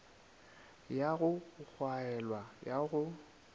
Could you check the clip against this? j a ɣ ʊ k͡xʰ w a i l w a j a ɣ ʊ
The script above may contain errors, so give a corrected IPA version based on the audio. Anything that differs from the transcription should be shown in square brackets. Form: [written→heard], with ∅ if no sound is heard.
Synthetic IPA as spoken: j a ɣ ʊ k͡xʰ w a [i→ɛ] l w a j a ɣ ʊ